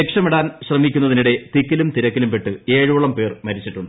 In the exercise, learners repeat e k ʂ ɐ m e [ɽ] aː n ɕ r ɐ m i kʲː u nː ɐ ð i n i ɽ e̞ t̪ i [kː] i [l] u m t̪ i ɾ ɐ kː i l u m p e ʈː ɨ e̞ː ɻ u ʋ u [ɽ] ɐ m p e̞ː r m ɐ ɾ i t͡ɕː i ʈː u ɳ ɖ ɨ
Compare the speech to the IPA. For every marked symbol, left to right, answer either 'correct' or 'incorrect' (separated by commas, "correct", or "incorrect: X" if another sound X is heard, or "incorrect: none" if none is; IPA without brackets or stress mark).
correct, correct, correct, incorrect: ɭ